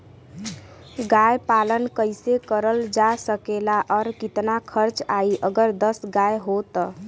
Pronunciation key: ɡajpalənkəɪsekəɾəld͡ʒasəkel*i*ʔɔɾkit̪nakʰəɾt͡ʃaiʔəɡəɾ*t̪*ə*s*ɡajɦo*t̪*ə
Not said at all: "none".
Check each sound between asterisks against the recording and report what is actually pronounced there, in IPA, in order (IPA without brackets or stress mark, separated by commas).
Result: a, d̪, s, t̪